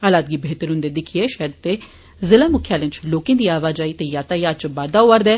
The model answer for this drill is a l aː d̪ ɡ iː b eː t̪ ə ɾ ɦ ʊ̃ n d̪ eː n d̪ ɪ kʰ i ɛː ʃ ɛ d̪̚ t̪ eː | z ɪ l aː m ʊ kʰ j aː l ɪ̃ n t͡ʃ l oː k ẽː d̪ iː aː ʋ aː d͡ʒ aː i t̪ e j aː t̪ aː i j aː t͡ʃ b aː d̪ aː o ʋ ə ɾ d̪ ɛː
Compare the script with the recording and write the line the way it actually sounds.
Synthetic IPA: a l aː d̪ ɡ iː b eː t̪ ə ɾ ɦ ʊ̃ n d̪ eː d̪ ɪ kʰ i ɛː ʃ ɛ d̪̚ t̪ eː | z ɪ l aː m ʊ kʰ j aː l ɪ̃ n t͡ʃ l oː k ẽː d̪ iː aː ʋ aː d͡ʒ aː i t̪ e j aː t̪ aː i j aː t͡ʃ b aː d̪ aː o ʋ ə ɾ d̪ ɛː